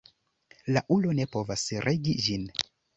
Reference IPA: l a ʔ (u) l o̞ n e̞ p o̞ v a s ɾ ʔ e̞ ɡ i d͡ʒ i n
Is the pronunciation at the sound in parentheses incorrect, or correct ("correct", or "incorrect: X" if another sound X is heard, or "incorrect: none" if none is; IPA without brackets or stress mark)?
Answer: correct